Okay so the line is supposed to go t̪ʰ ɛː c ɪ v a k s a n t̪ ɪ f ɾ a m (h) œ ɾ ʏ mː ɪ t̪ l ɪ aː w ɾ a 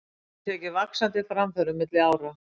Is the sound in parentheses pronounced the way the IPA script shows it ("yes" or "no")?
no